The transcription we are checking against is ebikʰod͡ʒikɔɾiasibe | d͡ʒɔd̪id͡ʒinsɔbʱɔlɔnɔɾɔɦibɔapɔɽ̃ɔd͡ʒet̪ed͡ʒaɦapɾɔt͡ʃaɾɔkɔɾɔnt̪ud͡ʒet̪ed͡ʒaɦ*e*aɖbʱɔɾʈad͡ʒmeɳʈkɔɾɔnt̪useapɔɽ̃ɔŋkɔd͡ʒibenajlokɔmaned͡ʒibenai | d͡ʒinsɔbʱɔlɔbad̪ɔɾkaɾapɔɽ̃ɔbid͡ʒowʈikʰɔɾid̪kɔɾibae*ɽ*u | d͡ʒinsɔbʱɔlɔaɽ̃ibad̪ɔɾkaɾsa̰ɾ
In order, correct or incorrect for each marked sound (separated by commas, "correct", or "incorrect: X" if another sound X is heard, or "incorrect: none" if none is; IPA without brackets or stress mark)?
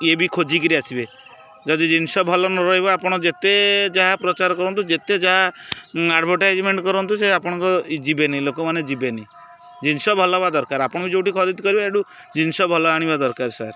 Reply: incorrect: a, correct